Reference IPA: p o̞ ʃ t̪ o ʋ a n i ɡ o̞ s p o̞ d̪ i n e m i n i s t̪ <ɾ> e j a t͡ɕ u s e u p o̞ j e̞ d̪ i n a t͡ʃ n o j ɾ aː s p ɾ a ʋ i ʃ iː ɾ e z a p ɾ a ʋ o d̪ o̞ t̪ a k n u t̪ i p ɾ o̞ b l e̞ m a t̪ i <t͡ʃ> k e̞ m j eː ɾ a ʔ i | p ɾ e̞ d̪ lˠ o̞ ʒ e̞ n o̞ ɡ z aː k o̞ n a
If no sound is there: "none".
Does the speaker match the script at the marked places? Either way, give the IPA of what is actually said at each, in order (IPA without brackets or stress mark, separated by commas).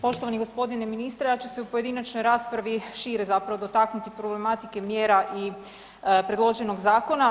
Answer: ɾ, none